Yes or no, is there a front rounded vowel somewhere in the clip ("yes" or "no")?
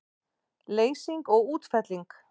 no